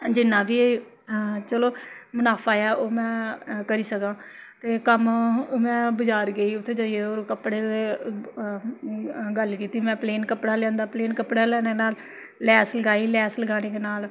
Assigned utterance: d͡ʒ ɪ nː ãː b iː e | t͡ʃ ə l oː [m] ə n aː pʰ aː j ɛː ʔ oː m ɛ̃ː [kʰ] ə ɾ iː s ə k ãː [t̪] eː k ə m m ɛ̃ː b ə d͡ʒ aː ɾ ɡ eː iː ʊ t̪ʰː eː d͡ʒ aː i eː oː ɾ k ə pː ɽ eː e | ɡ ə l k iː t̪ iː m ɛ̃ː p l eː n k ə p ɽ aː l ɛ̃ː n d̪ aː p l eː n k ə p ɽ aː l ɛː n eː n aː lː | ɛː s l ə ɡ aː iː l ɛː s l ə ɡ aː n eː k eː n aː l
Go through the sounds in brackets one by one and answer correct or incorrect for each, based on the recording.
correct, incorrect, correct

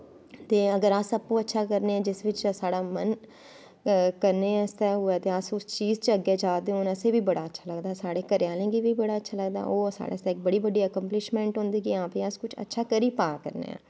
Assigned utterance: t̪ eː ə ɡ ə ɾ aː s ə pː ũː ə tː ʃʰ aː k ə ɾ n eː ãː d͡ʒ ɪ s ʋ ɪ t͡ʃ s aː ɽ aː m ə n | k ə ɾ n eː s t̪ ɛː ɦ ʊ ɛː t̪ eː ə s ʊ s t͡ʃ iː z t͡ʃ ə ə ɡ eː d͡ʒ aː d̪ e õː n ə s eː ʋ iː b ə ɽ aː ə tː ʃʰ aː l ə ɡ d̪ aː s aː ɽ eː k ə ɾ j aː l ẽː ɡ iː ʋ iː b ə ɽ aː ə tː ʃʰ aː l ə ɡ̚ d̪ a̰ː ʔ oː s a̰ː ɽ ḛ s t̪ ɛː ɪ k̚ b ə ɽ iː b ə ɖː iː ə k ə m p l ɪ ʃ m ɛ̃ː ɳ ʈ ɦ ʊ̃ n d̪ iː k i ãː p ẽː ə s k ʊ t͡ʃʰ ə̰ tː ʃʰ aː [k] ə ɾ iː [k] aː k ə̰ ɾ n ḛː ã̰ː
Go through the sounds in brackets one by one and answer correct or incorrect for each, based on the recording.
correct, incorrect

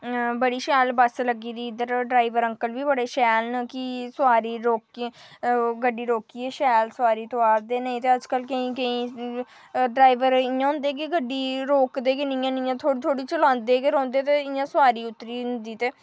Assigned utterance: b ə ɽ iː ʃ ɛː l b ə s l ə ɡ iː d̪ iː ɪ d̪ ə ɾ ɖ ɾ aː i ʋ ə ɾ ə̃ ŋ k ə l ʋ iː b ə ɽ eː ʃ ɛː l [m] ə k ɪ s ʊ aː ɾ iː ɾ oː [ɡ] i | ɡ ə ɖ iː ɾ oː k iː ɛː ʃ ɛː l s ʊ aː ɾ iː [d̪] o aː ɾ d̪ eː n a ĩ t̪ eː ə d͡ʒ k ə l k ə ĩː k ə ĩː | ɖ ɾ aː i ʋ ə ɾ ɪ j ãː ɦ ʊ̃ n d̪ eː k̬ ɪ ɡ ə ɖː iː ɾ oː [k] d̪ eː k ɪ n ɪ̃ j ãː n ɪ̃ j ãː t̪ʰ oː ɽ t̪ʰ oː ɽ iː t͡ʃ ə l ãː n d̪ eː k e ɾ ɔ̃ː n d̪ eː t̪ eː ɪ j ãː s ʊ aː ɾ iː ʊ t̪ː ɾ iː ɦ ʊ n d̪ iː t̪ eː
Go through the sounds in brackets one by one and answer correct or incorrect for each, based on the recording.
incorrect, incorrect, incorrect, correct

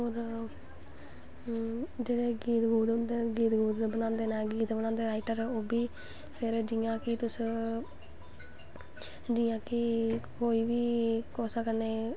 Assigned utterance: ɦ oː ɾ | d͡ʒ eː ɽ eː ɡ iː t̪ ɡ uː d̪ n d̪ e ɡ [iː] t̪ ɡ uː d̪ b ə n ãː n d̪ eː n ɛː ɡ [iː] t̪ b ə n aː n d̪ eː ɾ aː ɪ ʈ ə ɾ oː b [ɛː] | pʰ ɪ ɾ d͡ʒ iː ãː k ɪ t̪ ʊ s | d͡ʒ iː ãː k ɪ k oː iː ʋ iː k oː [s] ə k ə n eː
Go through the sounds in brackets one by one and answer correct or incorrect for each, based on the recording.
correct, correct, incorrect, correct

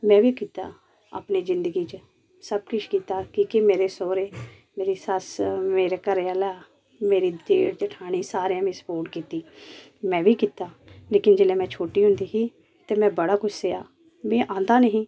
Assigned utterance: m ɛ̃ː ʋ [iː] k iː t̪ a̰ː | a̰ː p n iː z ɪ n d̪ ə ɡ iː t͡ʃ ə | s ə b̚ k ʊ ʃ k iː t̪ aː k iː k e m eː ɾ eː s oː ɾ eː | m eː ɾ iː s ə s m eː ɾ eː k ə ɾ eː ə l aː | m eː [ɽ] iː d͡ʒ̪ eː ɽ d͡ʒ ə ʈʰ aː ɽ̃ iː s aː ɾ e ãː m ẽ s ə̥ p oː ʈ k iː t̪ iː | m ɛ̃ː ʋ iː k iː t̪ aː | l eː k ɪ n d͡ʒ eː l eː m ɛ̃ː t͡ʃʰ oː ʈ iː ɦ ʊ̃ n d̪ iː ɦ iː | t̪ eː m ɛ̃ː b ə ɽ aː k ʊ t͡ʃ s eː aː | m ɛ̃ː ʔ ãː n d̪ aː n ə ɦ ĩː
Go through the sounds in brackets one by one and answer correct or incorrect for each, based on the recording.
correct, incorrect

